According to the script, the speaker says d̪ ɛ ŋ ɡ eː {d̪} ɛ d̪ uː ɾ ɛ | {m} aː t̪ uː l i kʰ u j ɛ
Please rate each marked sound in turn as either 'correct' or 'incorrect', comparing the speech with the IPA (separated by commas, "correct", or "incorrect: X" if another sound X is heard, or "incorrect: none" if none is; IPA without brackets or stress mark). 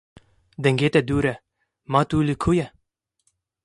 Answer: incorrect: t̪, correct